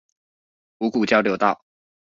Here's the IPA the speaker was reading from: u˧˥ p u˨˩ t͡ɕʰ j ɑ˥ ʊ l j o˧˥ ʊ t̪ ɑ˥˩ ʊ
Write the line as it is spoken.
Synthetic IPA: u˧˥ k u˨˩ t͡ɕ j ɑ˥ ʊ l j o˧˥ ʊ t̪ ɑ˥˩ ʊ